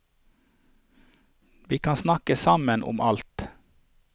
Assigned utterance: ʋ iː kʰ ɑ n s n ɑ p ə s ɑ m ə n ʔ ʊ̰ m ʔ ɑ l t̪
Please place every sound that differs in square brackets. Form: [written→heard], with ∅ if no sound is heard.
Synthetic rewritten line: ʋ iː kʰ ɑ n s n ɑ [p→k] ə s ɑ m ə n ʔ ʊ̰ m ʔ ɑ l t̪

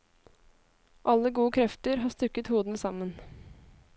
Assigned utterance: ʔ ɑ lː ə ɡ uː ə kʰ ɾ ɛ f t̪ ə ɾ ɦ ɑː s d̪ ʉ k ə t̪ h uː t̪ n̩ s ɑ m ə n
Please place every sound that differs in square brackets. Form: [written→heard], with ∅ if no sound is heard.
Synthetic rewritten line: ʔ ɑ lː ə ɡ uː ə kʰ ɾ ɛ f t̪ ə ɾ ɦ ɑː s [d̪→t̪] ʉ k ə t̪ h uː [t̪→d̪] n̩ s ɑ m ə n

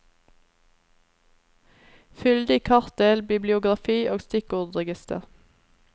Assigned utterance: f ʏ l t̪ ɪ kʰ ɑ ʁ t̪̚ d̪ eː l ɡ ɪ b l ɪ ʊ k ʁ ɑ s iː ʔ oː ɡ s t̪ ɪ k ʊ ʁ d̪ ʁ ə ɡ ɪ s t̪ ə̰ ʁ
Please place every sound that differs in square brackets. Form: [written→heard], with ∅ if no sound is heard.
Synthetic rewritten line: f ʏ l [t̪→d̪] ɪ kʰ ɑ ʁ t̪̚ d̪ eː l [ɡ→b] ɪ b l ɪ ʊ [k→ɡ] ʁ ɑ [s→f] iː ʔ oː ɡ s t̪ ɪ k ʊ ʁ d̪ ʁ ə ɡ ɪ s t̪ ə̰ ʁ

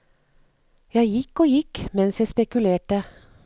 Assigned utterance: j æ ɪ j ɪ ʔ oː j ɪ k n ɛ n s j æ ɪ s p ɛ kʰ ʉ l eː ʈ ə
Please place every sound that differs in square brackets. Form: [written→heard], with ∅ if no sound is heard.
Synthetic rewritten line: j æ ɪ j ɪ [ʔ→k] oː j ɪ k [n→m] ɛ n s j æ ɪ s p ɛ [kʰ→k] ʉ l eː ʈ ə

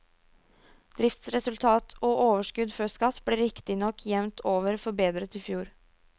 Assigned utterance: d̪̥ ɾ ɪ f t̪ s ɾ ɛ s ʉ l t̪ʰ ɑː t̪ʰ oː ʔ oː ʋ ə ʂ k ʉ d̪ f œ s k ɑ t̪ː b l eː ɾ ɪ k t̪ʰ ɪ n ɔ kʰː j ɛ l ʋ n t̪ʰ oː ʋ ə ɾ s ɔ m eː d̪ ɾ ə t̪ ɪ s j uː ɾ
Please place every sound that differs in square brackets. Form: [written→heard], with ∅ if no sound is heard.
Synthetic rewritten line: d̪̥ ɾ ɪ f t̪ s ɾ ɛ s ʉ l t̪ʰ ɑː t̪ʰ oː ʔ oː ʋ ə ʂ k ʉ d̪ f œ s k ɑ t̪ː b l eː ɾ ɪ k [t̪ʰ→t̪] ɪ n ɔ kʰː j ɛ [l→∅] ʋ n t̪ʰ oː ʋ ə ɾ [s→f] ɔ [m→b] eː d̪ ɾ ə t̪ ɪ [s→f] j uː ɾ

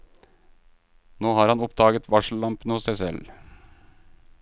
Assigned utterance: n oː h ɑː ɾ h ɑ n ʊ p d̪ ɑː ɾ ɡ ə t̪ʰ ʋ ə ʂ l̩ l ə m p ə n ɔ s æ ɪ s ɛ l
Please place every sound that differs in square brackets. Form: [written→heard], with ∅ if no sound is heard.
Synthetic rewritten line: n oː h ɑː ɾ h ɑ n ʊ p d̪ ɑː [ɾ→∅] ɡ ə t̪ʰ ʋ [ə→ɑ] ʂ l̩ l [ə→ɑ] m p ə n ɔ s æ ɪ s ɛ l

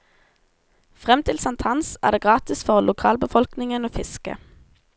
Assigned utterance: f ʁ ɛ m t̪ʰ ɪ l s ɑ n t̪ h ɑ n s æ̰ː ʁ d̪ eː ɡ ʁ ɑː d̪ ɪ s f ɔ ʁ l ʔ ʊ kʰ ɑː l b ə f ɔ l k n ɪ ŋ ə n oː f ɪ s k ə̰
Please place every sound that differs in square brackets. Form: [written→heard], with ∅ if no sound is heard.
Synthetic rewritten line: f ʁ ɛ m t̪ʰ ɪ l s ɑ n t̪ h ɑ n s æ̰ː ʁ d̪ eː ɡ ʁ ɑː [d̪→t̪] ɪ s f ɔ ʁ l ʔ ʊ kʰ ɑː l b ə f ɔ l k n ɪ ŋ ə n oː f ɪ s k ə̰

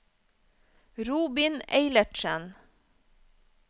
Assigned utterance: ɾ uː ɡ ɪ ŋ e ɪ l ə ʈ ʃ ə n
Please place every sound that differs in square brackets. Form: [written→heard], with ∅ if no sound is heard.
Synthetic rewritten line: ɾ uː [ɡ→b] ɪ [ŋ→n] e ɪ l ə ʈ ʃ ə n

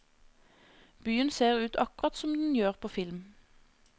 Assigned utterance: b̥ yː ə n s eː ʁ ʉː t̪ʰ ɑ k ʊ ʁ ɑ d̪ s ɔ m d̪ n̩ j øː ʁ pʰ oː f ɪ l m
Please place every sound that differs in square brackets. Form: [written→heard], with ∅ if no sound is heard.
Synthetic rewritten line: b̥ yː ə n s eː ʁ ʉː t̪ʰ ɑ k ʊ ʁ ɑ [d̪→t̪] s ɔ m d̪ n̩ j øː ʁ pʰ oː f ɪ l m

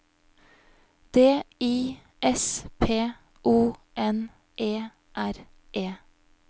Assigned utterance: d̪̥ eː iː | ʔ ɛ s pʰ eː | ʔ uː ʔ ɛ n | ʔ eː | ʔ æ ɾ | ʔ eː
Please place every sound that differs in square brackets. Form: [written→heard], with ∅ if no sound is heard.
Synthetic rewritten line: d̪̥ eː iː | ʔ ɛ s pʰ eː | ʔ uː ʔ ɛ n | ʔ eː | ʔ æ ɾ | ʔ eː

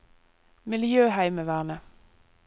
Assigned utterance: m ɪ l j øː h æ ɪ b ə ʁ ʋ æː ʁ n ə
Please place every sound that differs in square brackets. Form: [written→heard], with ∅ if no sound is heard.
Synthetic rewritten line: m ɪ l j øː h æ ɪ [b→m] ə [ʁ→∅] ʋ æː ʁ n ə

